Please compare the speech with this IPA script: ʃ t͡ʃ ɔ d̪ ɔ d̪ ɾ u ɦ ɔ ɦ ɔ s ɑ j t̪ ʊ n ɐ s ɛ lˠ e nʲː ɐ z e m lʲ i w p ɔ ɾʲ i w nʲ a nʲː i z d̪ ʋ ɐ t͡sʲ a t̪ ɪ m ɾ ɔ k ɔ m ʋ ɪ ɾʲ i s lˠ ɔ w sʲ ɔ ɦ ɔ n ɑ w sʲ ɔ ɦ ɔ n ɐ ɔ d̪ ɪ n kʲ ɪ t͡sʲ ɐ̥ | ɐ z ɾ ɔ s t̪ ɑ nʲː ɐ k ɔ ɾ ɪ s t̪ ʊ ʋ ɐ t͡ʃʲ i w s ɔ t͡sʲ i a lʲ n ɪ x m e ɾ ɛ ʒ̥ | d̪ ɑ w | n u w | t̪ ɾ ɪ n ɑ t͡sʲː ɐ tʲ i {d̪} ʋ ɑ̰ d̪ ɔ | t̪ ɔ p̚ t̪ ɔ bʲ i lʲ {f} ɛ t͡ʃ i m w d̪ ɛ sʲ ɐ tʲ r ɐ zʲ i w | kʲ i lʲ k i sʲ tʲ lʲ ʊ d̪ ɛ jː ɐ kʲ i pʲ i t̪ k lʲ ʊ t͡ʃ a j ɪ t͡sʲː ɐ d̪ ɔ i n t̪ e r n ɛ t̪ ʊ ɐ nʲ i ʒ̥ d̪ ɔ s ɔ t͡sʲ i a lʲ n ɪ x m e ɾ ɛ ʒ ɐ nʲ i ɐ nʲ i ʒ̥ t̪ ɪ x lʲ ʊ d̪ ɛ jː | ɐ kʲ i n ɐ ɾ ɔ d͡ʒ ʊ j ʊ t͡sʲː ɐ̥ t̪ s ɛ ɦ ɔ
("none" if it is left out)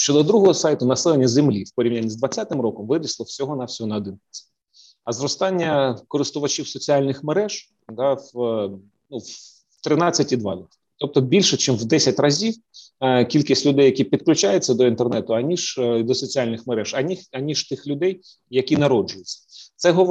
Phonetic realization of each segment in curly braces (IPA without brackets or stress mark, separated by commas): d̪, ʃ